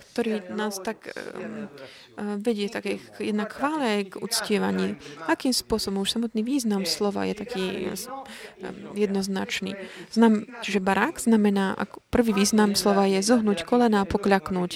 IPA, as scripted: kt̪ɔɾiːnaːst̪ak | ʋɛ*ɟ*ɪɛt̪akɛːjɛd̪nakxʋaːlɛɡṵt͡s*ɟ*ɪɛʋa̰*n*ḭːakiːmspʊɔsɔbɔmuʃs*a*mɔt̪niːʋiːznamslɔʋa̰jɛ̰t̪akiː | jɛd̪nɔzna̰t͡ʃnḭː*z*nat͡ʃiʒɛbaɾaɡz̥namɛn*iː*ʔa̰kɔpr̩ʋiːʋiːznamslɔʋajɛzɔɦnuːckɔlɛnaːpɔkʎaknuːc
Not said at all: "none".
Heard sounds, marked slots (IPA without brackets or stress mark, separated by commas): ɟ, c, ɲ, a, z, aː